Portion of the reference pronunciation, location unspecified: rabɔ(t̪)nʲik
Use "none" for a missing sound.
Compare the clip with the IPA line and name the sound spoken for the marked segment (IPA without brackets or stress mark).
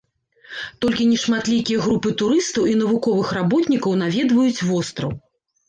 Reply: t̪